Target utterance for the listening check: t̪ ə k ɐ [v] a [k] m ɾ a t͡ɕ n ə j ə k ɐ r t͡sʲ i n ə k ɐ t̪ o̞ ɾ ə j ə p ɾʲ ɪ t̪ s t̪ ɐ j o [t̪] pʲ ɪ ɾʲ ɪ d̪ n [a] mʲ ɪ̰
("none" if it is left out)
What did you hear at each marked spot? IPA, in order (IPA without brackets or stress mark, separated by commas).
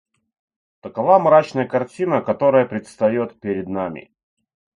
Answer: v, none, t̪, a